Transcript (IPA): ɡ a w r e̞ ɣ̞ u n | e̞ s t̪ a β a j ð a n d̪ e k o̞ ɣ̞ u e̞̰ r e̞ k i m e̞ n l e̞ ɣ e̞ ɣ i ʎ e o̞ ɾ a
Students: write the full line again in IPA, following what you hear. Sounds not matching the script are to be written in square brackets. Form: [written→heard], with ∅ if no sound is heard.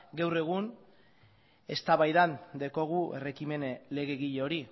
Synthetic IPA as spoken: ɡ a w r e̞ ɣ̞ u n | e̞ s t̪ a β a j ð a n d̪ e k o̞ ɣ̞ u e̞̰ r e̞ k i m e̞ n l e̞ ɣ e̞ ɣ i ʎ e o̞ ɾ [a→i]